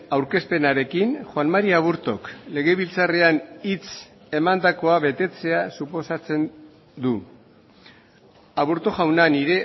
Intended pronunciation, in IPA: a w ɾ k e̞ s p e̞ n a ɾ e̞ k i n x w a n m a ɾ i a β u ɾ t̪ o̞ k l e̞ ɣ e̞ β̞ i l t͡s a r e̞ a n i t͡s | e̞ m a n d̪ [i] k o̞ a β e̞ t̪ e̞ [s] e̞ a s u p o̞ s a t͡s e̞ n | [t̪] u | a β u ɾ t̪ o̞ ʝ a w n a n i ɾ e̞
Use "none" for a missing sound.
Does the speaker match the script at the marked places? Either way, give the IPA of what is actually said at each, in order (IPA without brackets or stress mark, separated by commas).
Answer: a, t͡s, d̪